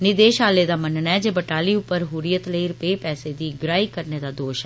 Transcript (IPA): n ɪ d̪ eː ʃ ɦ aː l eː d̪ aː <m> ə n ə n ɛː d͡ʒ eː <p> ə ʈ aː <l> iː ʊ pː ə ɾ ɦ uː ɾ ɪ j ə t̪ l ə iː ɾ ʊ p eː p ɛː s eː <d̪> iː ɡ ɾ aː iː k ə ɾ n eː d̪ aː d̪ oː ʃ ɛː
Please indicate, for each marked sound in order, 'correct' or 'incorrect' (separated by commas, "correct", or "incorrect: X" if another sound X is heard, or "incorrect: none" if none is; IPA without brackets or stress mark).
correct, incorrect: b, correct, correct